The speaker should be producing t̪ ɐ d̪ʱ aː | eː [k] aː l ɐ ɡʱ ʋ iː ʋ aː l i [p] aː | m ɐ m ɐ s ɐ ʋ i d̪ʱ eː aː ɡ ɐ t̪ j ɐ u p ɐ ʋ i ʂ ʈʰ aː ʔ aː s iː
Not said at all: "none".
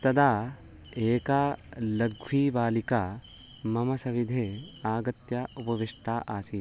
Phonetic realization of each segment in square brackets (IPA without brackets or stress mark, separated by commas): k, k